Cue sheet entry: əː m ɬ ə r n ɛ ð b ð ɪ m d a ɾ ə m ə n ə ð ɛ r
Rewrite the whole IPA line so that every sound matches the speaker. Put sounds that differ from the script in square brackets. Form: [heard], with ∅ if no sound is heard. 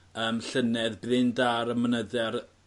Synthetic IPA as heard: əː m ɬ ə [∅] n ɛ ð b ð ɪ [n] d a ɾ ə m ə n ə ð ɛ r